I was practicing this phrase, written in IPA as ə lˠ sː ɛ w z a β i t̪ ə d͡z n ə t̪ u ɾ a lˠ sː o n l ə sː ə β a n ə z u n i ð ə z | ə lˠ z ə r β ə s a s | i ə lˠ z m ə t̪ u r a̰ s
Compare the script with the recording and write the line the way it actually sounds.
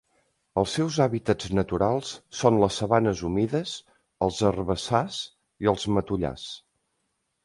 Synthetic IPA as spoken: ə lˠ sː ɛ w z a β i t̪ ə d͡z n ə t̪ u ɾ a lˠ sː o n l ə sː ə β a n ə z u m i ð ə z | ə lˠ z ə r β ə s a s | i ə lˠ z m ə t̪ u ʎ a̰ s